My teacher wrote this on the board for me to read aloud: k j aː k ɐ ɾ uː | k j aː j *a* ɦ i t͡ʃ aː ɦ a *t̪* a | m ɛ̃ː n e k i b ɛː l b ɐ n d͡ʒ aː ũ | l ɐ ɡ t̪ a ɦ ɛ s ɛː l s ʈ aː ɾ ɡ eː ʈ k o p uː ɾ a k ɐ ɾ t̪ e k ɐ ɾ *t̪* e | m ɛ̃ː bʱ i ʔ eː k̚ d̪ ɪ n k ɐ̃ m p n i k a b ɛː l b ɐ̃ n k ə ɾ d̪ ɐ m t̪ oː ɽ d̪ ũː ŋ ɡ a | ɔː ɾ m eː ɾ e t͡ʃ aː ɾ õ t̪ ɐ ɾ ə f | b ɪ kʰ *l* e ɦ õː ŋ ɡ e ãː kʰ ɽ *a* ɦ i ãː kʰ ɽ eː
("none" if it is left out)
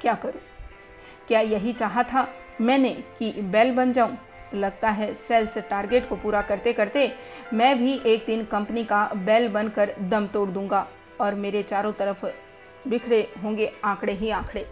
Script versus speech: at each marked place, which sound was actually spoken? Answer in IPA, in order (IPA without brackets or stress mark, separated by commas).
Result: ɐ, t̪ʰ, t̪, ɽ, e